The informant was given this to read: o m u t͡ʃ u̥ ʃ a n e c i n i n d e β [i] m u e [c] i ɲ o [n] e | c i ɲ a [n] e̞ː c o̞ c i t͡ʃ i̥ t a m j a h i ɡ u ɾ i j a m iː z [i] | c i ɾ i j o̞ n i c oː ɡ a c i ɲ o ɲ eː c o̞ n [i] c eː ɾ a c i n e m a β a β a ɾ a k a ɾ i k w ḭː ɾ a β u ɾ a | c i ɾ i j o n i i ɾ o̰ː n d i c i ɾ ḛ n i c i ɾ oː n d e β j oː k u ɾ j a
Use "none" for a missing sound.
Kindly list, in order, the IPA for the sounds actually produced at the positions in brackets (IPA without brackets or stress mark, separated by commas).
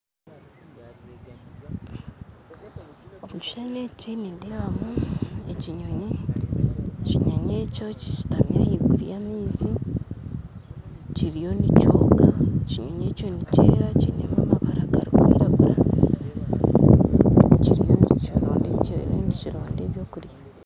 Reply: a, c, ɲ, ɲ, i, i